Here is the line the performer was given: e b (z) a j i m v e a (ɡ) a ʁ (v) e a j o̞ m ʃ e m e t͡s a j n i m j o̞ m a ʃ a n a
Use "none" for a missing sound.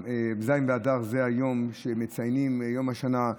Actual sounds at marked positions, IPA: z, d, z

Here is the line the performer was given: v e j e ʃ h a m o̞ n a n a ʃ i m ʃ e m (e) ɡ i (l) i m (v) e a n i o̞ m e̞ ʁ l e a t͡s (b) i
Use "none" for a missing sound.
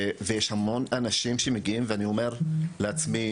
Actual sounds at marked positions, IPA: e, none, v, m

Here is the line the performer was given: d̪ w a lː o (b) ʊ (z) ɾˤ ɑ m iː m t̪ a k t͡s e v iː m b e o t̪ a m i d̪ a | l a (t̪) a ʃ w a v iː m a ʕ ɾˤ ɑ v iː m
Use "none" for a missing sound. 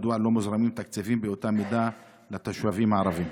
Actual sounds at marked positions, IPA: m, z, t̪

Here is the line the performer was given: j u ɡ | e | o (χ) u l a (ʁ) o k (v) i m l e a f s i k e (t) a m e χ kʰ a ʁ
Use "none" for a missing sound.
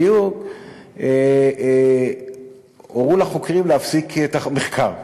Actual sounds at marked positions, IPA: ʁ, χ, ʁ, t

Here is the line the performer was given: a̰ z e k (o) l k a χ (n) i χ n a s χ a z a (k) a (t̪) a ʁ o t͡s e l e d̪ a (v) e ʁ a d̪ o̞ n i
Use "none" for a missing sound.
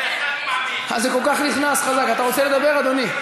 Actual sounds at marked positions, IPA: o, n, k, t̪, b

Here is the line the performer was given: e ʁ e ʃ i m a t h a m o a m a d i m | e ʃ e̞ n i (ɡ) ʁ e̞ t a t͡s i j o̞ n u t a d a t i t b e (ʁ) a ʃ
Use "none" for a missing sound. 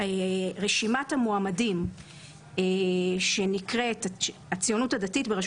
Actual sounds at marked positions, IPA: k, ʁ

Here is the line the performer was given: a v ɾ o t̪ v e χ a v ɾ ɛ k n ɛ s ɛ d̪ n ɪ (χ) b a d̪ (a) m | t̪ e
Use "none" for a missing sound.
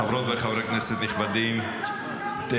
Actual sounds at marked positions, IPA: χ, i

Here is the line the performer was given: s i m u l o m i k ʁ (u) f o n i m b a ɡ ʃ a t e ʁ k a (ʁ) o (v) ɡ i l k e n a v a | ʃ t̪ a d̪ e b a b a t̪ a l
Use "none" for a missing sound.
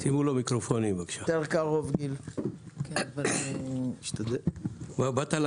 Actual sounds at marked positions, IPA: o, ʁ, v

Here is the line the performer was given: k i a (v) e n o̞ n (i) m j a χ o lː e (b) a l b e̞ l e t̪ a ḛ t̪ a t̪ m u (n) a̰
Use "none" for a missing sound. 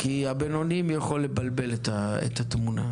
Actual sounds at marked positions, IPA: b, i, b, n

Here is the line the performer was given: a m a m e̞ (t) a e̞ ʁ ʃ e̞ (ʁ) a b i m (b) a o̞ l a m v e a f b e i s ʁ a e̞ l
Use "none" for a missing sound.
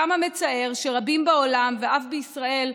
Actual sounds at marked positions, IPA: t͡s, ʁ, b

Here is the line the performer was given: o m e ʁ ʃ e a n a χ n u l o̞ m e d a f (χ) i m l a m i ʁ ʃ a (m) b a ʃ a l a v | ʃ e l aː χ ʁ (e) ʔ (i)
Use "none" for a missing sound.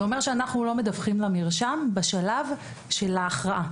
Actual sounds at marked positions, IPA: χ, m, a, a

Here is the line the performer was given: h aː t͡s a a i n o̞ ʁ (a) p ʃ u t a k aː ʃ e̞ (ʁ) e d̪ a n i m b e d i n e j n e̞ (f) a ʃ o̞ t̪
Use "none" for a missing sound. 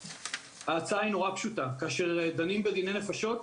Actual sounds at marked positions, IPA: a, ʁ, f

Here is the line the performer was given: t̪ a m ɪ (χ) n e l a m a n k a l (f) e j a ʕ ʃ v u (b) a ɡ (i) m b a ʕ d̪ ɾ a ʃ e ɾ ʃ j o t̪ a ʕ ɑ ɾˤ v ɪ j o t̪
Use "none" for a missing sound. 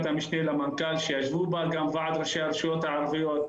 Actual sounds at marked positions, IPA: ʃ, ʃ, b, a

